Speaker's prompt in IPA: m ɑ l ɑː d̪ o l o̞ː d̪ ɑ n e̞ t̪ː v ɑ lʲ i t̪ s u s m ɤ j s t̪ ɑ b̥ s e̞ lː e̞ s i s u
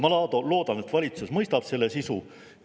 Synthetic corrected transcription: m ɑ l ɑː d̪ o l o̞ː d̪ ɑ n e̞ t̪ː v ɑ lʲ i t̪ s u s m ɤ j s t̪ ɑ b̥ s e̞ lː e̞ s i s u

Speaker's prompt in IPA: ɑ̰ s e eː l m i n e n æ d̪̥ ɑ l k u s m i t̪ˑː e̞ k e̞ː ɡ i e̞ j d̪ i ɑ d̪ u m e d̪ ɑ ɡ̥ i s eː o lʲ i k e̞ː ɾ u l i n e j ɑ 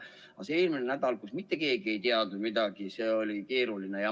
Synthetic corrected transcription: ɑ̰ s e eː l m i n e n æ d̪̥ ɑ l k u s m i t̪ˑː e̞ k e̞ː ɡ i e̞ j t̪ i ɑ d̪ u m i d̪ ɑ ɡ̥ i s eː o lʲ i k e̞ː ɾ u l i n e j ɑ

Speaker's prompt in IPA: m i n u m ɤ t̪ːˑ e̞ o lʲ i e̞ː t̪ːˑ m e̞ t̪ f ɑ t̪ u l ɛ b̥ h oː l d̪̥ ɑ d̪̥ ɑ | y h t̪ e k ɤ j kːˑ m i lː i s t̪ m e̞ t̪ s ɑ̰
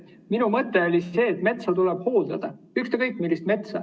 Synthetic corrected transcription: m i n u m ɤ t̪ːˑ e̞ o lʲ i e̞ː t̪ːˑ m e̞ t̪ s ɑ t̪ u l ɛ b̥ h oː l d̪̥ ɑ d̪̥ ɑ | y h t̪ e k ɤ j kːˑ m i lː i s t̪ m e̞ t̪ s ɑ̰

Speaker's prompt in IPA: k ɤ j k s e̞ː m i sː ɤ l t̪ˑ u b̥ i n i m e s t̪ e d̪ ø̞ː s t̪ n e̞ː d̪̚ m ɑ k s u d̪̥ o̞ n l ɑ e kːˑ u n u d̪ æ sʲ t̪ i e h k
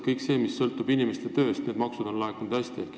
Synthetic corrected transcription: k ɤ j k s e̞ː m i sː ɤ l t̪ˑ u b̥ i n i m e s t̪ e t̪ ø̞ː s t̪ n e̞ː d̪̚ m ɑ k s u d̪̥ o̞ n l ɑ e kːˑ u n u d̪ æ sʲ t̪ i e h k

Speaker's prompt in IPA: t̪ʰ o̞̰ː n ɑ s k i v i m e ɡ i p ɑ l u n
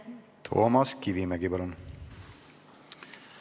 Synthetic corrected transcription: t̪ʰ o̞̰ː m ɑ s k i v i m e ɡ i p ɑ l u n

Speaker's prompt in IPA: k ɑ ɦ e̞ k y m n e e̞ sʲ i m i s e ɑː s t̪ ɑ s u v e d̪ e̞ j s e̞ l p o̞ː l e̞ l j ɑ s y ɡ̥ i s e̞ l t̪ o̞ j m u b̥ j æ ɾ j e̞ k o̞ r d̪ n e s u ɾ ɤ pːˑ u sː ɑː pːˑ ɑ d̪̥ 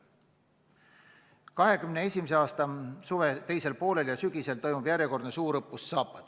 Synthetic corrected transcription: k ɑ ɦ e̞ k y m n e e̞ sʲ i m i s e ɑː s t̪ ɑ s u v e t̪ e̞ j s e̞ l p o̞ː l e̞ l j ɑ s y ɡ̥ i s e̞ l t̪ o̞ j m u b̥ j æ ɾ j e̞ k o̞ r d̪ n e s uː ɾ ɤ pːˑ u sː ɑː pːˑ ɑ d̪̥

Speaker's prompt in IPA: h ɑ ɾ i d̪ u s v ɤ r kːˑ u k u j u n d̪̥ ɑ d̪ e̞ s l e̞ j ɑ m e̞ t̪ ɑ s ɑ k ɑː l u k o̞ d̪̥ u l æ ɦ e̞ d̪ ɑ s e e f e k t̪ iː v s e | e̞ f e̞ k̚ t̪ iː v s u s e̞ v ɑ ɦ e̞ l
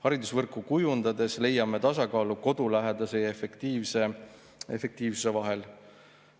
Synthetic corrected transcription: h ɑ ɾ i d̪ u s v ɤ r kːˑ u k u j u n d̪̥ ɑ d̪ e̞ s l e̞ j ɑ m e̞ t̪ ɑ s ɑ k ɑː l u k o̞ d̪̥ u l æ ɦ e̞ d̪ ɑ s e e f e k t̪ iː v s e | e̞ f e̞ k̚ t̪ iː v s u s e̞ v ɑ ɦ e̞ l

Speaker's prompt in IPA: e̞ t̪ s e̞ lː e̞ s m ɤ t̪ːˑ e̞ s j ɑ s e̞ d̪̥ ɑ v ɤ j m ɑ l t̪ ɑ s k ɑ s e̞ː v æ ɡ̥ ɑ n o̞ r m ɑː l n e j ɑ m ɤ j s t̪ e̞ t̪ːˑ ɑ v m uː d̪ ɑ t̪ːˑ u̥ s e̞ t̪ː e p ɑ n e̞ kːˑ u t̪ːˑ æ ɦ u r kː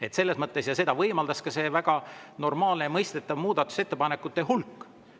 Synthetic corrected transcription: e̞ t̪ s e̞ lː e̞ s m ɤ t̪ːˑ e̞ s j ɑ s e̞ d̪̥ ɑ v ɤ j m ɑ l d̪ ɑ s k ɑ s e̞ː v æ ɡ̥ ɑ n o̞ r m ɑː l n e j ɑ m ɤ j s t̪ e̞ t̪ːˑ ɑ v m uː d̪ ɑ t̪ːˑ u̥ s e̞ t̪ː e p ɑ n e̞ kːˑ u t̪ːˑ e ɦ u l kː

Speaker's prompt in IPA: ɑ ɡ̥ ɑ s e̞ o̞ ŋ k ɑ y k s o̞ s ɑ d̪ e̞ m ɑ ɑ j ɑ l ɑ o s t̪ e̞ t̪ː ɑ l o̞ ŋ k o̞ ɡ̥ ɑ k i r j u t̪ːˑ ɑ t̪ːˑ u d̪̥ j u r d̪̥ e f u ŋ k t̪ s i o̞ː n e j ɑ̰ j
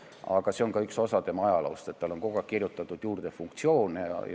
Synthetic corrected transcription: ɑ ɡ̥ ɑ s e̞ o̞ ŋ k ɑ y k s o̞ s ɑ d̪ e̞ m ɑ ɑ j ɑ l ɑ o s t̪ e̞ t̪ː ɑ l o̞ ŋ k o̞ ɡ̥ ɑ k i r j u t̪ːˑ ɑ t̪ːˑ u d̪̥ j uː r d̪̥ e f u ŋ k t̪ s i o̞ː n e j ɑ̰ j

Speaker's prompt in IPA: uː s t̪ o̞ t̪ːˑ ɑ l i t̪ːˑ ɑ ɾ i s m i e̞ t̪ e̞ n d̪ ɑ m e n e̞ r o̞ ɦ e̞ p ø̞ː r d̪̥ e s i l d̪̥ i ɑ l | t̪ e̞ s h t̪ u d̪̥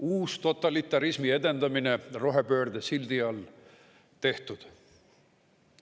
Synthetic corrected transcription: uː s t̪ o̞ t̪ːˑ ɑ l i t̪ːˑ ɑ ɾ i s m i e̞ d̪ e̞ n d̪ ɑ m i n e̞ r o̞ ɦ e̞ p ø̞ː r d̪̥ e s i l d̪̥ i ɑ l | t̪ e̞ h t̪ u d̪̥

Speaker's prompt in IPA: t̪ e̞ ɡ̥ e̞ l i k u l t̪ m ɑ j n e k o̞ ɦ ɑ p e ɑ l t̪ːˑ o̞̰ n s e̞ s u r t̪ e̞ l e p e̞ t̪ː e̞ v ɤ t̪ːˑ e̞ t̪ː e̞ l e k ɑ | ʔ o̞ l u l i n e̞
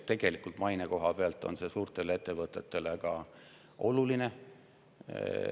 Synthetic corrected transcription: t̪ e̞ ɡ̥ e̞ l i k u l t̪ m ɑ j n e k o̞ ɦ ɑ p e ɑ l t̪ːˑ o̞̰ n s e̞ s uː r t̪ e̞ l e e̞ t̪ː e̞ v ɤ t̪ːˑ e̞ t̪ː e̞ l e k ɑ | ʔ o̞ l u l i n e̞

